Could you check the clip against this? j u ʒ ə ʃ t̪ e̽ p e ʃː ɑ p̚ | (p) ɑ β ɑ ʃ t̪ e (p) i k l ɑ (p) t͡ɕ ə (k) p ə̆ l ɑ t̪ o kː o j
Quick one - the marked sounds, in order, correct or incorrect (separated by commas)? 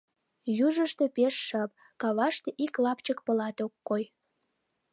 incorrect, incorrect, correct, correct